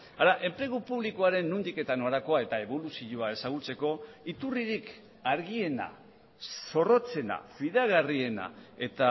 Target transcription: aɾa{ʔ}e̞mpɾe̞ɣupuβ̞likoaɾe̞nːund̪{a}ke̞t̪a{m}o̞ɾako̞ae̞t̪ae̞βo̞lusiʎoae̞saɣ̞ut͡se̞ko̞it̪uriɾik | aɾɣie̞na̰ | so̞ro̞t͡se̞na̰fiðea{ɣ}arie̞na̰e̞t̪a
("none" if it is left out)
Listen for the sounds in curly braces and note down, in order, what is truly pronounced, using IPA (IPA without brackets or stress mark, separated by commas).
ʔ, i, n, ɣ